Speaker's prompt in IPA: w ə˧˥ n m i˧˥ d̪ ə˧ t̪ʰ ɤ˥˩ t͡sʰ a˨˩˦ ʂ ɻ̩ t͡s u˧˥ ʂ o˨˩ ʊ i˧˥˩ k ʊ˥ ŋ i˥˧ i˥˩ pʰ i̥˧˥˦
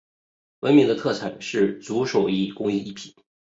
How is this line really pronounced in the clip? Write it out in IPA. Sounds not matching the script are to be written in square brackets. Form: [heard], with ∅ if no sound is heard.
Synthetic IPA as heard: w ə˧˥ n m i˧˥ d̪ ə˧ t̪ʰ ɤ˥˩ t͡sʰ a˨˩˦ ʂ ɻ̩ t͡s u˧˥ ʂ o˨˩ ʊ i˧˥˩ k ʊ˥ ŋ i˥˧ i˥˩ pʰ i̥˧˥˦